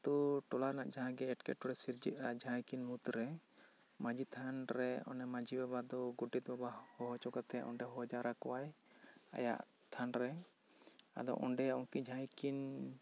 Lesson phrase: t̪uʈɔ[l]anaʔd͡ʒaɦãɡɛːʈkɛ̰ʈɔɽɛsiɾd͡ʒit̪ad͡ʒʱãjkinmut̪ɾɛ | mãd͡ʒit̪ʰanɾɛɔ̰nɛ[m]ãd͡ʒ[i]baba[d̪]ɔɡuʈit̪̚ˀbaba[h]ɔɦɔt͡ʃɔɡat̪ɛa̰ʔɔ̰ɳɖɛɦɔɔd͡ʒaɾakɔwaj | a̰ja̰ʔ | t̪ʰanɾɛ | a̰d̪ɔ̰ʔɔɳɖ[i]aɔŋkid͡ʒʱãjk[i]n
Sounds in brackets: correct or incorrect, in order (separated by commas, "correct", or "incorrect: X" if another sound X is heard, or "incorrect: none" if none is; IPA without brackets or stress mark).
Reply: correct, correct, correct, correct, correct, incorrect: ɛ, correct